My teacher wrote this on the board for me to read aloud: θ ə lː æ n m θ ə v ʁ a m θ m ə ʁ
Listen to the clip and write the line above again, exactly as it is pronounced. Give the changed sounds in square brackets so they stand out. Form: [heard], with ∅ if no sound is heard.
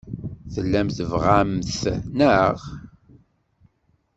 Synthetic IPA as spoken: θ ə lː æ [∅] m θ ə v ʁ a m θ [n] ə ʁ